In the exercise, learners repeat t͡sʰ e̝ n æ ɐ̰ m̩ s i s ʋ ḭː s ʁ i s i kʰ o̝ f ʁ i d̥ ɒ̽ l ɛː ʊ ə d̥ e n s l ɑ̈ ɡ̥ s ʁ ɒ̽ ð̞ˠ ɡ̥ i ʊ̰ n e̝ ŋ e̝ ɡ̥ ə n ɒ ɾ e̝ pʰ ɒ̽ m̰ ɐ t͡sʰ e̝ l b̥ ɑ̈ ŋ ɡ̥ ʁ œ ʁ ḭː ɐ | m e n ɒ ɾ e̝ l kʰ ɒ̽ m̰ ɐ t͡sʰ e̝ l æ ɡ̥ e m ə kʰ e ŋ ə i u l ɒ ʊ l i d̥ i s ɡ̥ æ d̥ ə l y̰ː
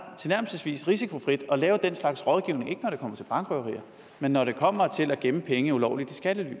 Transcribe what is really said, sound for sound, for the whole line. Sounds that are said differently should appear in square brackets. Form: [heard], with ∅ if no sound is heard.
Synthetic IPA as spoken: t͡sʰ e̝ n æ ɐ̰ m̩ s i s ʋ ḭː s ʁ i s i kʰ o̝ f ʁ i d̥ ɒ̽ l ɛː ʊ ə d̥ e n s l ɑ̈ ɡ̥ s ʁ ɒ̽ ð̞ˠ ɡ̥ i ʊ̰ n e̝ ŋ e̝ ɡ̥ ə n ɒ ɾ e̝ [kʰ] ɒ̽ m̰ ɐ t͡sʰ e̝ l b̥ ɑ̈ ŋ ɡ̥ ʁ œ ʁ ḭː ɐ | m e [nː] ɒ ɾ e̝ [∅] kʰ ɒ̽ m̰ ɐ t͡sʰ e̝ l æ ɡ̥ e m ə [pʰ] e ŋ ə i u l ɒ ʊ l i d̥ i s ɡ̥ æ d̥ ə l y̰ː

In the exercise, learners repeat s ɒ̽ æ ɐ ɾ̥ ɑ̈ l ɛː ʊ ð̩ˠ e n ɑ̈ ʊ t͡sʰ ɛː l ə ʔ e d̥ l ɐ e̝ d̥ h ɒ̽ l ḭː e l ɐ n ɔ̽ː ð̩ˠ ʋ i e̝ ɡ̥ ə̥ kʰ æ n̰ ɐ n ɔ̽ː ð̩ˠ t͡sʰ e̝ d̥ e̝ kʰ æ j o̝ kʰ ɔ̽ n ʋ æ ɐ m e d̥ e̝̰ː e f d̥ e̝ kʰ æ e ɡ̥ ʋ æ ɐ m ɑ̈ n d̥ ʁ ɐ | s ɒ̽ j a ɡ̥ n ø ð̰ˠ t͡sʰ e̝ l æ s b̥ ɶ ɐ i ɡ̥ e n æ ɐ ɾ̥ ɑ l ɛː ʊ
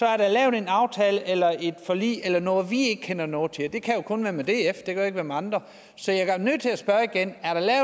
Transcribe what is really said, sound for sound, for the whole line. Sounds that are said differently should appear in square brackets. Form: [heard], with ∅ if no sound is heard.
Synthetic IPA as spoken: s ɒ̽ æ ɐ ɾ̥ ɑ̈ l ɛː ʊ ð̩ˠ e n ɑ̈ ʊ t͡sʰ ɛː l ə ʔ e [∅] l ɐ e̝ d̥ [f] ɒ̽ l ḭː e l ɐ n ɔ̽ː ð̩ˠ ʋ i e̝ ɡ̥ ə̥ kʰ [e] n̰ ɐ n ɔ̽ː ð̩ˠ t͡sʰ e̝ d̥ e̝ kʰ æ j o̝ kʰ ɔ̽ n ʋ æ ɐ m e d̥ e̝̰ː e f d̥ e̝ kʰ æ e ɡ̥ ʋ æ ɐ m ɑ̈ n d̥ ʁ ɐ | s ɒ̽ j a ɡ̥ n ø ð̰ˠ t͡sʰ e̝ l æ s b̥ ɶ ɐ i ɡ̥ e n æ ɐ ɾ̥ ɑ l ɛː ʊ

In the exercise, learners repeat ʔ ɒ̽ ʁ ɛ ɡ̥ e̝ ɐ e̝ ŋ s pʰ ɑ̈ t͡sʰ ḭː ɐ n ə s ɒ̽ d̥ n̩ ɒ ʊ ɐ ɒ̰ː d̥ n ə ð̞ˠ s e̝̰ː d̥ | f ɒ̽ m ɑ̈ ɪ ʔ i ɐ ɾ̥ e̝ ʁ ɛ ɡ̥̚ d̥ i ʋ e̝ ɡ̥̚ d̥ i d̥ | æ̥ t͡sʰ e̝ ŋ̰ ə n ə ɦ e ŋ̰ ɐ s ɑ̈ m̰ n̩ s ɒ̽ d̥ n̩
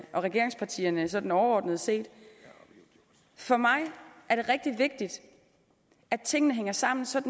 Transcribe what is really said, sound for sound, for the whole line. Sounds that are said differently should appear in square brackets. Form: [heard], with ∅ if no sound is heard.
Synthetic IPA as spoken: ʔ ɒ̽ ʁ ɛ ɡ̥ e̝ ɐ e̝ ŋ s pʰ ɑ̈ t͡sʰ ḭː ɐ n ə s ɒ̽ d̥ n̩ ɒ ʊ ɐ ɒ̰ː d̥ n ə ð̞ˠ s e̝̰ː d̥ | f ɒ̽ m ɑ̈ ɪ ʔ [æ] ɐ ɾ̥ e̝ ʁ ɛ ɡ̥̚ d̥ i ʋ e̝ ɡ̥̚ d̥ i d̥ | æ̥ t͡sʰ e̝ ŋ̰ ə n ə ɦ e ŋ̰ ɐ s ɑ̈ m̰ n̩ s ɒ̽ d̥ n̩

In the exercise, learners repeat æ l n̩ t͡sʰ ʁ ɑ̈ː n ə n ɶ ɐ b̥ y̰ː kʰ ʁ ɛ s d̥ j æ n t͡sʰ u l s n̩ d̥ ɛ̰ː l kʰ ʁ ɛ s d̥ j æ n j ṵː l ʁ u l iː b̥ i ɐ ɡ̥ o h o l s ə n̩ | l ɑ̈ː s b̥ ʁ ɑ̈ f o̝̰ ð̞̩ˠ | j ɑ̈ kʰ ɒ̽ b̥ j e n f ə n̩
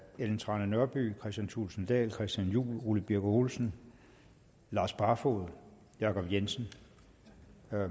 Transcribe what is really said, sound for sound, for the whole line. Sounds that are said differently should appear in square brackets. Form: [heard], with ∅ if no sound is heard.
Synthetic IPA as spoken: [e] l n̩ t͡sʰ ʁ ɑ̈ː n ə n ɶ ɐ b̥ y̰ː kʰ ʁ ɛ s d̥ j æ n t͡sʰ u l s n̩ d̥ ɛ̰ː l kʰ ʁ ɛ s d̥ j æ n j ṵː l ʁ u l [i] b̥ i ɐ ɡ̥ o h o l s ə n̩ | l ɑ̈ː s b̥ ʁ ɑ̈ f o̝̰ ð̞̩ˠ | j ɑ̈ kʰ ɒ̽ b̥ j e n [s] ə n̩

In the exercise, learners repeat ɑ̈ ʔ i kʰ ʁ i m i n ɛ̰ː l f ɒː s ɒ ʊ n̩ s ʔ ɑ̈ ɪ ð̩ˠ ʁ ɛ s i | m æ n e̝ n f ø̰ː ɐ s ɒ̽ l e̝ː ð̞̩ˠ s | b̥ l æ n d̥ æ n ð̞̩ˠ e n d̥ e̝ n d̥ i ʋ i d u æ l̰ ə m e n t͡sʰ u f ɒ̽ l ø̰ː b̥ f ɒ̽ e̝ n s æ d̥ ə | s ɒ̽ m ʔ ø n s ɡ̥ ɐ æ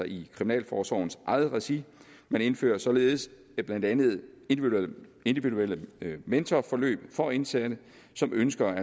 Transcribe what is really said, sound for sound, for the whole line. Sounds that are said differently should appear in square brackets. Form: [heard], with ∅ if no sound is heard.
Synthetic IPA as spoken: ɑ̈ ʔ i kʰ ʁ i m i n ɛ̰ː l f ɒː s ɒ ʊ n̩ s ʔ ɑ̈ ɪ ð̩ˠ ʁ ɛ s i | m æ n e̝ n f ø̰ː ɐ s ɒ̽ l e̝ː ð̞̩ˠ s | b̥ l æ n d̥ æ n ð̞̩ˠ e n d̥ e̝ n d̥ i ʋ i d u [e] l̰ ə m e n t͡sʰ [ɒ] f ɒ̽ l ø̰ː b̥ f ɒ̽ e̝ n s æ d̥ ə | s ɒ̽ m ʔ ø n s ɡ̥ ɐ æ

